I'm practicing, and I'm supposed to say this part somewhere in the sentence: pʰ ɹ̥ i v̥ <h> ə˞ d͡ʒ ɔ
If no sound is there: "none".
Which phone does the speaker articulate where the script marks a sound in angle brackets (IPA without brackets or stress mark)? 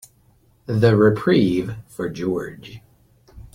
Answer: f